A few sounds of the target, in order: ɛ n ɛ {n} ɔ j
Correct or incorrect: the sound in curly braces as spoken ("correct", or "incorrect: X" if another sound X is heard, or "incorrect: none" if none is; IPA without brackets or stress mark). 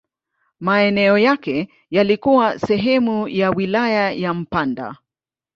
incorrect: none